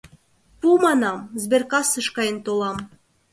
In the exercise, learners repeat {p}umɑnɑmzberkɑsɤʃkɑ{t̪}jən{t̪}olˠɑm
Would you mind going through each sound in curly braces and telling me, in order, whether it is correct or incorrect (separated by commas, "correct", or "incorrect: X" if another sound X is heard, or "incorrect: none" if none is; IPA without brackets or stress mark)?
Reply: correct, incorrect: none, correct